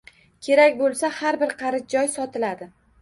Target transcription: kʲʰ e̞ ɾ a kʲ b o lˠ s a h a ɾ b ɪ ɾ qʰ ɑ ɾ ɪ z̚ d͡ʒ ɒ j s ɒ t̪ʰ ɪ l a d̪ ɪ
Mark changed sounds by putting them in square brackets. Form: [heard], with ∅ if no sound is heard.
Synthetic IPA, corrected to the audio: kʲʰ e̞ ɾ a kʲ b o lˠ s a h a ɾ b ɪ ɾ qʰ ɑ ɾ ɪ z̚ d͡ʒ ɒ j s ɒ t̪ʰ ɪ l a d̪ ɪ